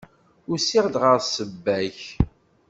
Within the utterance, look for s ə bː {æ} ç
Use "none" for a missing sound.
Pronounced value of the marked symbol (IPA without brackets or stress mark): æ